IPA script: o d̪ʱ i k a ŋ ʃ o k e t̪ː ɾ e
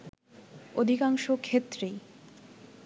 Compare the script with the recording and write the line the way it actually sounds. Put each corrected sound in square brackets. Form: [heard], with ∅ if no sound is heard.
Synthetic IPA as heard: o d̪ʱ i k a ŋ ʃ o [kʰ] e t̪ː ɾ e

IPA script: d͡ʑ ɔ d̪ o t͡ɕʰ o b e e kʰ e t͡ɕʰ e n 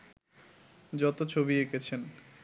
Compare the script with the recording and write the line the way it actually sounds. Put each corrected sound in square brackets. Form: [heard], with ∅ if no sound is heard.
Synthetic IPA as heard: d͡ʑ ɔ [t̪] o t͡ɕʰ o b [i] e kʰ e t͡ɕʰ e n

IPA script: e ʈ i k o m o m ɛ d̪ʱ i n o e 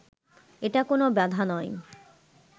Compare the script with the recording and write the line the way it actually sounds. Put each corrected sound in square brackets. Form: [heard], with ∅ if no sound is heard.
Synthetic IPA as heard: e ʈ [a] k o [n] o [b] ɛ d̪ʱ [a] n [ɔ] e

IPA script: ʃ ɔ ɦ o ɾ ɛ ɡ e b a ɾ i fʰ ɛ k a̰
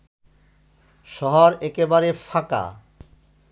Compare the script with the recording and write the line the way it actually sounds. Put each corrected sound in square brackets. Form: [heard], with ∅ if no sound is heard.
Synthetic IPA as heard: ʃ ɔ ɦ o ɾ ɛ [k] e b a ɾ [e] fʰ [a] k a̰

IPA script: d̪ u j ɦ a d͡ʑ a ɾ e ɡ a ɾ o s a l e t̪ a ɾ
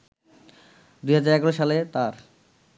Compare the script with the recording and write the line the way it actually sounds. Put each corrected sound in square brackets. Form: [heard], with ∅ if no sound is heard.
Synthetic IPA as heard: d̪ u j ɦ a d͡ʑ a ɾ [ɛ] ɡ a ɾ o [ʃ] a l e t̪ a ɾ

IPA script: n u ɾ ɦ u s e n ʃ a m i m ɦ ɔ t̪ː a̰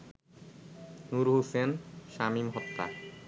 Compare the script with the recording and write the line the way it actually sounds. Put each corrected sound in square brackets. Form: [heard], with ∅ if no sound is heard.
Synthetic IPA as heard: n u ɾ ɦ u s e n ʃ a m i m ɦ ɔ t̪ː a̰

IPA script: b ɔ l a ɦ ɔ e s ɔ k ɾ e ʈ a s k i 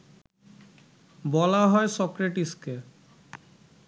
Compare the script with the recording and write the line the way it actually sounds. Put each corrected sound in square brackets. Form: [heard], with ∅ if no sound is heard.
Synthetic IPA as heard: b ɔ l a ɦ ɔ e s ɔ k ɾ e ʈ [i] s k [e]

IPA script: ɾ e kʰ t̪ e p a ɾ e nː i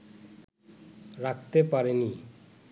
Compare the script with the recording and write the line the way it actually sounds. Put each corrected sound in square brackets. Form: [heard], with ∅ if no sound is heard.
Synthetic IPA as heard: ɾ [a] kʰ t̪ e p a ɾ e [n] i

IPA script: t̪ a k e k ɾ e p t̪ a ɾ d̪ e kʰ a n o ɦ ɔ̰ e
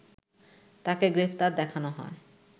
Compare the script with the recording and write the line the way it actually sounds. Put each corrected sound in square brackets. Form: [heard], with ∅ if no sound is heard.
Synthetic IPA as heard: t̪ a k e [ɡ] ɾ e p t̪ a ɾ d̪ [ɛ] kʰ a n o ɦ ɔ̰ e

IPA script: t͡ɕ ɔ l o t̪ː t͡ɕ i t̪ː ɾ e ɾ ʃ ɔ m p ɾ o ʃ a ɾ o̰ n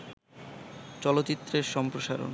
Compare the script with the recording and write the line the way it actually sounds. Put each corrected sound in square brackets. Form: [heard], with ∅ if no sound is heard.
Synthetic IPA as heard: t͡ɕ ɔ l o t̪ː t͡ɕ i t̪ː ɾ e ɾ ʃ ɔ m p ɾ o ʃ a ɾ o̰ n

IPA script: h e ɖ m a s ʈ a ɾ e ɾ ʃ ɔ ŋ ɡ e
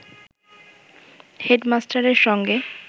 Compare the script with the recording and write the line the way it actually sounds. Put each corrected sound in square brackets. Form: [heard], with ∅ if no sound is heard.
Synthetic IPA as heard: h e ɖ m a s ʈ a ɾ e ɾ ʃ ɔ ŋ ɡ e

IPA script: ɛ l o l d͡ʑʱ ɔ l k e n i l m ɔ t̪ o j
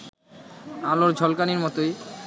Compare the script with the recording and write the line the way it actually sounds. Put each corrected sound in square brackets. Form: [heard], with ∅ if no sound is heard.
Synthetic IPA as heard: [a] l o [ɾ] d͡ʑʱ ɔ l k [a] n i [ɾ] m ɔ t̪ o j

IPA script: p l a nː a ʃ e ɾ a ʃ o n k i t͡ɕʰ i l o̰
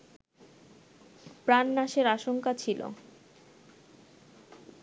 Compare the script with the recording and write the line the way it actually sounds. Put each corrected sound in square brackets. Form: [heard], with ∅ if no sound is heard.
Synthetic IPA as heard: p [ɾ] a nː a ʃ e ɾ a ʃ o [ŋ] k [a] t͡ɕʰ i l o̰

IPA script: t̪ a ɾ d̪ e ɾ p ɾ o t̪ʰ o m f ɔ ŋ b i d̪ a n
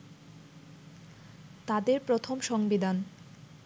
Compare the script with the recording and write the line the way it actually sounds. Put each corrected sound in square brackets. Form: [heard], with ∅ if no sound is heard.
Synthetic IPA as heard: t̪ a [∅] d̪ e ɾ p ɾ o t̪ʰ o m [ʃ] ɔ ŋ b i d̪ a n

